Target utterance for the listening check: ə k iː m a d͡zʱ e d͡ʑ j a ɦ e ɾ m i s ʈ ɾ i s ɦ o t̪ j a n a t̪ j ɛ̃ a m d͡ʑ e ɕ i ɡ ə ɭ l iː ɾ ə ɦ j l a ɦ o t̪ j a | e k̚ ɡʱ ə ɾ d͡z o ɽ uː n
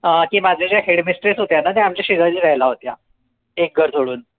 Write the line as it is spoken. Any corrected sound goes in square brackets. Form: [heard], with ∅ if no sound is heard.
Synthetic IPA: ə k iː m a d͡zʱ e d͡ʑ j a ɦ e [ɽ] m i s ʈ ɾ i s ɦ o t̪ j a n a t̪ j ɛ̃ a m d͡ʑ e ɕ i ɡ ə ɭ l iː ɾ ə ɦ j l a ɦ o t̪ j a | e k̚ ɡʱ ə ɾ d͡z o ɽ uː n